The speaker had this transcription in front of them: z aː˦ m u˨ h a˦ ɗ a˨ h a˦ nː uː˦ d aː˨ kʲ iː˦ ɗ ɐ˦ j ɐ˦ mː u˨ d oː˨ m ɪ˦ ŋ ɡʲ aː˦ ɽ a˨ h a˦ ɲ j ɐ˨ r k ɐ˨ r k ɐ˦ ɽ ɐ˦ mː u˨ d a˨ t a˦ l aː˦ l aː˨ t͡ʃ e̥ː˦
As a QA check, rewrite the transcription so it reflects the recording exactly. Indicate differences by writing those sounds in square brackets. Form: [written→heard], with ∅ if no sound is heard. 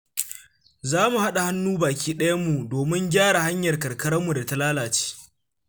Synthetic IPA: z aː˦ m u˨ h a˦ ɗ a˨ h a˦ nː uː˦ [d→b] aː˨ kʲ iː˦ ɗ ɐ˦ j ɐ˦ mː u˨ d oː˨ m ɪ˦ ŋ ɡʲ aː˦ ɽ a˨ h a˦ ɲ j ɐ˨ r k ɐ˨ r k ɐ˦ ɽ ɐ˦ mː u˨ d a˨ t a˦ l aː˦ l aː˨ t͡ʃ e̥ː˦